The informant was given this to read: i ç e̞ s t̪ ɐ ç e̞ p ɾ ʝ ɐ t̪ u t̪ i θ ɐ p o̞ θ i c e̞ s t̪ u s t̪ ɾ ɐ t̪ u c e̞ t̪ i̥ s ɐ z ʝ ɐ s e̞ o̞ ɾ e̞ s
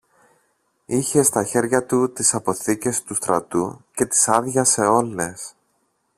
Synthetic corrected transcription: i ç e̞ s t̪ ɐ ç e̞ ɾ ʝ ɐ t̪ u t̪ i s ɐ p o̞ θ i c e̞ s t̪ u s t̪ ɾ ɐ t̪ u c e̞ t̪ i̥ s ɐ ð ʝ ɐ s e̞ o̞ l e̞ s

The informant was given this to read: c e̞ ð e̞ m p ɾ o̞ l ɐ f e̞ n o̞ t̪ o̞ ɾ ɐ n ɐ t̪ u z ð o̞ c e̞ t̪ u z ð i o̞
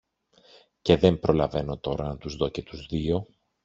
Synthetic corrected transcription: c e̞ ð e̞ m p ɾ o̞ l ɐ v e̞ n o̞ t̪ o̞ ɾ ɐ n ɐ t̪ u z ð o̞ c e̞ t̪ u z ð i o̞

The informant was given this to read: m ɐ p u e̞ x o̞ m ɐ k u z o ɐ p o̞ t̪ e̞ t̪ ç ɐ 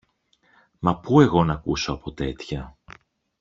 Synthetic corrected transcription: m ɐ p u e̞ ɣ o̞ n ɐ k u s o ɐ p o̞ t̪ e̞ t̪ ç ɐ

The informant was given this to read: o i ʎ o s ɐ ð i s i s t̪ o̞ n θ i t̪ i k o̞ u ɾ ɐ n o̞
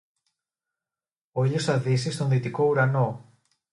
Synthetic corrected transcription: o i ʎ o s ɐ ð i s i s t̪ o̞ n ð i t̪ i k o̞ u ɾ ɐ n o̞

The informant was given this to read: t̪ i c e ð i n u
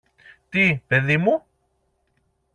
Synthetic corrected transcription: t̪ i p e ð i m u

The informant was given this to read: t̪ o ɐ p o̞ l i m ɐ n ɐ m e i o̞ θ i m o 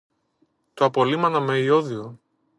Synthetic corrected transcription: t̪ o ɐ p o̞ l i m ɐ n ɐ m e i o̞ ð i o

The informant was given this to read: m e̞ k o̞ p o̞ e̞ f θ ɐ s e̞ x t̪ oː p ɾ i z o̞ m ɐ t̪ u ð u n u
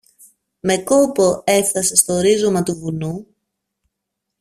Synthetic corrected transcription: m e̞ k o̞ p o̞ e̞ f θ ɐ s e̞ s t̪ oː ɾ i z o̞ m ɐ t̪ u v u n u

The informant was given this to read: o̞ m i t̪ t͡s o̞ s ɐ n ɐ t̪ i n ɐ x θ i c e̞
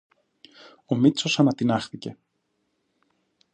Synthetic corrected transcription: o̞ m i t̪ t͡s o̞ s ɐ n ɐ t̪ i n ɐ x θ i c e̞

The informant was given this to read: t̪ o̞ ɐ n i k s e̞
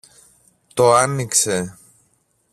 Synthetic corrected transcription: t̪ o̞ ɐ n i k s e̞

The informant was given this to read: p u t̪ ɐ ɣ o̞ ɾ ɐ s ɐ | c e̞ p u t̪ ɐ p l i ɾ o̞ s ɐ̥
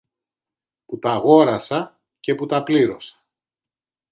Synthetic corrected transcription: p u t̪ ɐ ɣ o̞ ɾ ɐ s ɐ | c e̞ p u t̪ ɐ p l i ɾ o̞ s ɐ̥

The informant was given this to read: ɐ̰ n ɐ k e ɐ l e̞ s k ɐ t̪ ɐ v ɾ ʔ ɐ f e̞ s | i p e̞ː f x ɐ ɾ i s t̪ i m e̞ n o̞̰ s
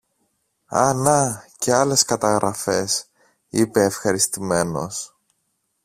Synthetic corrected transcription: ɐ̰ n ɐ c e ɐ l e̞ s k ɐ t̪ ɐ ɣ ɾ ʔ ɐ f e̞ s | i p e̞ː f x ɐ ɾ i s t̪ i m e̞ n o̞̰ s

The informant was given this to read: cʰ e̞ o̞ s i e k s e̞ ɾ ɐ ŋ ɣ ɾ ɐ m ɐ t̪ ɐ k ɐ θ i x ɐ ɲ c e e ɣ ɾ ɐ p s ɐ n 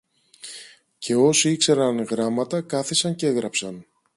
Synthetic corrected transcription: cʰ e̞ o̞ s i i k s e̞ ɾ ɐ n ɣ ɾ ɐ m ɐ t̪ ɐ k ɐ θ i s ɐ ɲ c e e ɣ ɾ ɐ p s ɐ n

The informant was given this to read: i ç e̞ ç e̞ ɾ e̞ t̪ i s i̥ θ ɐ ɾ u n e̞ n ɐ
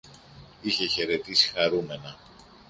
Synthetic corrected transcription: i ç e̞ ç e̞ ɾ e̞ t̪ i s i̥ x ɐ ɾ u m e̞ n ɐ

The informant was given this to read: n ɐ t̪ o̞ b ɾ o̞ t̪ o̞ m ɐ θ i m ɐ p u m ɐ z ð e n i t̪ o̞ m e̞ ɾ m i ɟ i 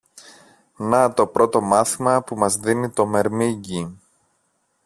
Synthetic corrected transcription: n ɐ t̪ o̞ p ɾ o̞ t̪ o̞ m ɐ θ i m ɐ p u m ɐ z ð i n i t̪ o̞ m e̞ ɾ m i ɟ i

